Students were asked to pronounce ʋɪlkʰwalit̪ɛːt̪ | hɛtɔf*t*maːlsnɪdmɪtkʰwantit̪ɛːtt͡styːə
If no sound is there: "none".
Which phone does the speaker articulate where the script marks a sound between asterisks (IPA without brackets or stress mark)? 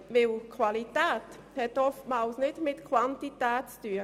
t